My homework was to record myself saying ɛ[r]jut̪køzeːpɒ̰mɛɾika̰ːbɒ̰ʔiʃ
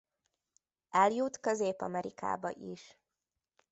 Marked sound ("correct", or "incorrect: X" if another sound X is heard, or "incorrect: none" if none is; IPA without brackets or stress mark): incorrect: l